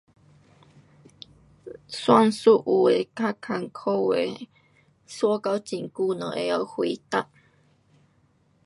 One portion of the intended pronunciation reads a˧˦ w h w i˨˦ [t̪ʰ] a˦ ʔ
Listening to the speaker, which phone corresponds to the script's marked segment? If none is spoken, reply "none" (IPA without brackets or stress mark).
t̪